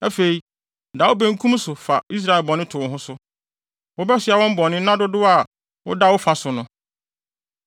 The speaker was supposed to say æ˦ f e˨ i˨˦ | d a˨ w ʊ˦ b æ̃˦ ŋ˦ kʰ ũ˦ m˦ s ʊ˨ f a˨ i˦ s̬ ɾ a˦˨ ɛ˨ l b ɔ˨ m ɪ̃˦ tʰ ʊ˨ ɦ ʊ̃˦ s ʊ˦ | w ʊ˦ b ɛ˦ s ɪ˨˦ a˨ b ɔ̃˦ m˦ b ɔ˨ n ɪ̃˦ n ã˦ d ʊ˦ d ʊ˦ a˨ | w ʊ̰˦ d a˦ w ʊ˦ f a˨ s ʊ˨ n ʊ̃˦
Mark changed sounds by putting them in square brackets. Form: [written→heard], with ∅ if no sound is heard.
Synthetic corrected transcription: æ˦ f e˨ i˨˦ | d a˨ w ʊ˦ b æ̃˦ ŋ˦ kʰ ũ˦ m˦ s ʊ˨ f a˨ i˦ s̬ ɾ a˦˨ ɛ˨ l b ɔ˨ [m→n] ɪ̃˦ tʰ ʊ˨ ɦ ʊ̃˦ s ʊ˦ | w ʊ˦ b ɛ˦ s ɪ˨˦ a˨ [b→w] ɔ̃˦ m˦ b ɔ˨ n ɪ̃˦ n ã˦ d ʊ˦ d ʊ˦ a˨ | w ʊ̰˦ d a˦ w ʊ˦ f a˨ s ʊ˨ n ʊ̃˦